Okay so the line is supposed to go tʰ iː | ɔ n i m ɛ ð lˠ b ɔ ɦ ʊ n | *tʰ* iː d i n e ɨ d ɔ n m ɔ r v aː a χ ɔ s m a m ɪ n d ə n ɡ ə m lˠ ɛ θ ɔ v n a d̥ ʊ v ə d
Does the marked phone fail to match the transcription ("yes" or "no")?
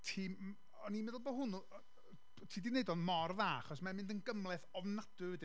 no